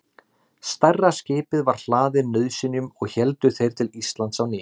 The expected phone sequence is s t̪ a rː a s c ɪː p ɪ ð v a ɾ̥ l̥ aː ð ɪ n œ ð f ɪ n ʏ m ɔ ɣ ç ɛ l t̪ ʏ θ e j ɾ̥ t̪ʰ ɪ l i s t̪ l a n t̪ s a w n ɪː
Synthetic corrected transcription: s t̪ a rː a s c ɪː p ɪ ð v a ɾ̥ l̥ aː ð ɪ n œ ð s ɪ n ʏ m ɔ ɣ ç ɛ l t̪ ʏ θ e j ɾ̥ t̪ʰ ɪ l i s t̪ l a n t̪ s a w n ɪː